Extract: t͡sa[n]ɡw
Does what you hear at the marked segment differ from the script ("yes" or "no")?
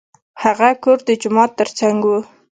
yes